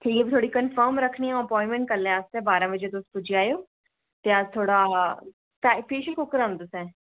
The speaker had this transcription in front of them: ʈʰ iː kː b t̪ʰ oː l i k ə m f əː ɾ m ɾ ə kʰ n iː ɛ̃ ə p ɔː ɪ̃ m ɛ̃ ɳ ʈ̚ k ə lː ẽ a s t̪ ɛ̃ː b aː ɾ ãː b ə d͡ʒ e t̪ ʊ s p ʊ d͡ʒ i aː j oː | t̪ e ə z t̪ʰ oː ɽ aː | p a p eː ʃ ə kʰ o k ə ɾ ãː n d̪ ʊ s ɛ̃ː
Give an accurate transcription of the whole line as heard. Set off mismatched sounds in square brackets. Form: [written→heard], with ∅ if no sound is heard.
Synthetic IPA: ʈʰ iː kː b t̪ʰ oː [l→ɽ] i k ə [m→n] f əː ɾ m ɾ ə kʰ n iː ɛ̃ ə p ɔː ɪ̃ m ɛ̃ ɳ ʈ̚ k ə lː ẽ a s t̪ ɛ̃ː b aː ɾ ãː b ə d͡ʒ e t̪ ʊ s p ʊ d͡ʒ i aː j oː | t̪ e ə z t̪ʰ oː ɽ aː | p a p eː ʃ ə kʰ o k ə ɾ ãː n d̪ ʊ s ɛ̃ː